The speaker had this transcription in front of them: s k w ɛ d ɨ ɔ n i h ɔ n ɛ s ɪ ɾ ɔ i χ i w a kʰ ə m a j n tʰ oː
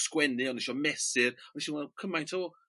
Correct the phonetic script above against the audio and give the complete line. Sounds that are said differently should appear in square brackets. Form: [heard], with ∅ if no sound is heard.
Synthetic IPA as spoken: s k w ɛ [n] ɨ ɔ n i [ʃ] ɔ [m] ɛ s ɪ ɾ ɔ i [ʃ] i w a kʰ ə m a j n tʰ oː